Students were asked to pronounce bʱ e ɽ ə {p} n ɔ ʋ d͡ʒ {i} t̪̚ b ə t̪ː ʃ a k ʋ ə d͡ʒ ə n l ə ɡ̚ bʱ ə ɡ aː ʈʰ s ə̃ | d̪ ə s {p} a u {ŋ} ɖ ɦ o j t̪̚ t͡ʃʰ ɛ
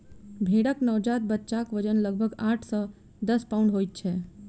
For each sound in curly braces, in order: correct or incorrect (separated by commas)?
incorrect, incorrect, correct, incorrect